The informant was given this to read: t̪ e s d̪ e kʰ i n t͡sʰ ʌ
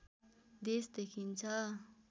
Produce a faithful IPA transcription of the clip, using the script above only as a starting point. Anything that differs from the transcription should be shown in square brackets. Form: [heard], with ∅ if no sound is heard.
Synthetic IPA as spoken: [d̪] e s d̪ e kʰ i n t͡sʰ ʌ